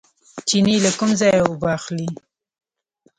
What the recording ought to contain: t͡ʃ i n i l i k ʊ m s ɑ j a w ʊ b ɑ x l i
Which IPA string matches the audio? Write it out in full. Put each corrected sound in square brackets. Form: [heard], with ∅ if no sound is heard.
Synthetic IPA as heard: t͡ʃ i n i l [a] k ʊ m [z] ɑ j a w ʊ b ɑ x l i